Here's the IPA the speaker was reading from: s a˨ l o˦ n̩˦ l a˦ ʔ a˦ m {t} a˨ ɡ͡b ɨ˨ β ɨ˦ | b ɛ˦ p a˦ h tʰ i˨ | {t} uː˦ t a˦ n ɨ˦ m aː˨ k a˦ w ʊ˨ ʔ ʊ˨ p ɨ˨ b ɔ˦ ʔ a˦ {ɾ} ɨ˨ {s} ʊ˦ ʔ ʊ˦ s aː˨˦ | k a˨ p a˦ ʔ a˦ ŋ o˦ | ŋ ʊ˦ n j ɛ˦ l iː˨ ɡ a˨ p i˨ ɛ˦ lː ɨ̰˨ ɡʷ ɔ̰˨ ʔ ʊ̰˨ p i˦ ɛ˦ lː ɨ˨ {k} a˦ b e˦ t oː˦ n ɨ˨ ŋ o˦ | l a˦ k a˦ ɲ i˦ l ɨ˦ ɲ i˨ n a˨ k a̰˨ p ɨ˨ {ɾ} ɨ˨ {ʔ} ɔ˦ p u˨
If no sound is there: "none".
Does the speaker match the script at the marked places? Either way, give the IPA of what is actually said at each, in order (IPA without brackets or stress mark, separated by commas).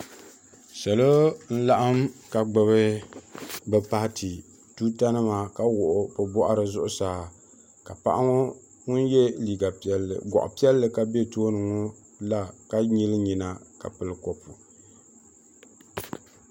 k, t, ɾ, z, k, l, k